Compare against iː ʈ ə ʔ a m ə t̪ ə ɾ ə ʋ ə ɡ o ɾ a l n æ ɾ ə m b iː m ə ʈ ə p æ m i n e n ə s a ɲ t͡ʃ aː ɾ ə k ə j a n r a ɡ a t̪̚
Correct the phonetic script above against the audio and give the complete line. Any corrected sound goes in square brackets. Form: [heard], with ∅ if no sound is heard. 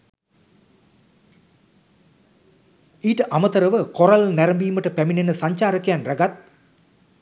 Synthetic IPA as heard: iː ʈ ə ʔ a m ə t̪ ə ɾ ə ʋ ə [k] o ɾ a l n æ ɾ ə m b iː m ə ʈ ə p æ m i n e n ə s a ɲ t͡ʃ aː ɾ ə k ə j a n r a ɡ a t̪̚